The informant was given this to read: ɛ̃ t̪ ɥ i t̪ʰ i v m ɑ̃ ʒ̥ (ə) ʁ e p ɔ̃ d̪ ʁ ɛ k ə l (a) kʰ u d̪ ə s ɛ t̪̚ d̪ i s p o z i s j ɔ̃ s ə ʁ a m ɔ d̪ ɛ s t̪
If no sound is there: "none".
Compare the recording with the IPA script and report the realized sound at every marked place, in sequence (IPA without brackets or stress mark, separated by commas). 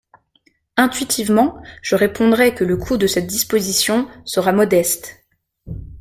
ə, ə